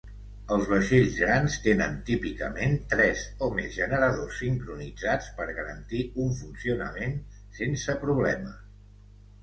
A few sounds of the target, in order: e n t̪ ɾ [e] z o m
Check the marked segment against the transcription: incorrect: ɛ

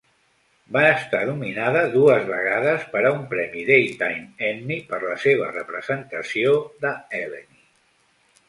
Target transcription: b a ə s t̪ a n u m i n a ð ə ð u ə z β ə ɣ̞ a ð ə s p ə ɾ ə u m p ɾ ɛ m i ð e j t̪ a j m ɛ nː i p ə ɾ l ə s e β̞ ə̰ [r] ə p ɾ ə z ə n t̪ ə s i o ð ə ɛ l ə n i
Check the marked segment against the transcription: correct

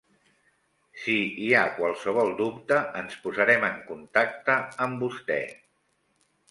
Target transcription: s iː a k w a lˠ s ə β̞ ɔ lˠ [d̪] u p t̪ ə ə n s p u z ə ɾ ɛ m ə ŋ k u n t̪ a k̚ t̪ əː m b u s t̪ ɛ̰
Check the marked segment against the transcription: correct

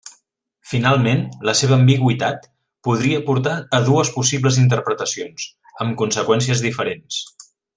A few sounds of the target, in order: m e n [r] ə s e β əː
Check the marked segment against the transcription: incorrect: l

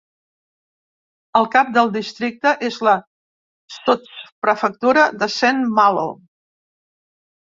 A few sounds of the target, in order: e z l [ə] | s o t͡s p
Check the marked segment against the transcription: correct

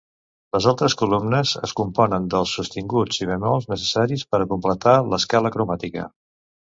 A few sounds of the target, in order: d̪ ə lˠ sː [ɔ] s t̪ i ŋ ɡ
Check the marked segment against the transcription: incorrect: u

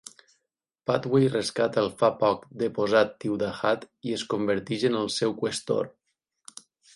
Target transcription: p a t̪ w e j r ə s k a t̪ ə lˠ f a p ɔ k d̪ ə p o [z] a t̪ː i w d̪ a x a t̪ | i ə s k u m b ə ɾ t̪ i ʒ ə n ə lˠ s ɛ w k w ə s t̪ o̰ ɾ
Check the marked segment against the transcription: correct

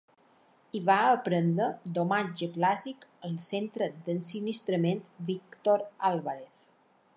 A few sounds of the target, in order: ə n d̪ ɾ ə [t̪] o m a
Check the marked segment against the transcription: incorrect: d̪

